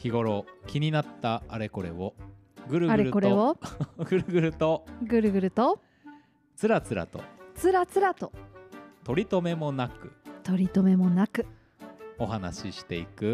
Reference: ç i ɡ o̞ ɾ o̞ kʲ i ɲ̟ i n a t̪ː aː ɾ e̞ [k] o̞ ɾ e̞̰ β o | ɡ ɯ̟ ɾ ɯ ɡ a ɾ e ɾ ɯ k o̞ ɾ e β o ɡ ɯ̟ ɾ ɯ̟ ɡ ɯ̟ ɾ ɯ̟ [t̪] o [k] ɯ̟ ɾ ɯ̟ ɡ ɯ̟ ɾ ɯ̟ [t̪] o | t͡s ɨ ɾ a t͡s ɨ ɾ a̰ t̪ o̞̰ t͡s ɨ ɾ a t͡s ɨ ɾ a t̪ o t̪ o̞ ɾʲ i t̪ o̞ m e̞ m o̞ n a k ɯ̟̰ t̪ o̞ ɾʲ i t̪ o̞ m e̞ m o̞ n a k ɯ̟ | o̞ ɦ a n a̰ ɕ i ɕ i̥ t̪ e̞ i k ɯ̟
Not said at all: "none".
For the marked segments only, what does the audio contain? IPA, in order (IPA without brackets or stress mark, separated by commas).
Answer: k, t̪, ɡ, t̪